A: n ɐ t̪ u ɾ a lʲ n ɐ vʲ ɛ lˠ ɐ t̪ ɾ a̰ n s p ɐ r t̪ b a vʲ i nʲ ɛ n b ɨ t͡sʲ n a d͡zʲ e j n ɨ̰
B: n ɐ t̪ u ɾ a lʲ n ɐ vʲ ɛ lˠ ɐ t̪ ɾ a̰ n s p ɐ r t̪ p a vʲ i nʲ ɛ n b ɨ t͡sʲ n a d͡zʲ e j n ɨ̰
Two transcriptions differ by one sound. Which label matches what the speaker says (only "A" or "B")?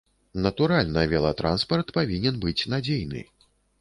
B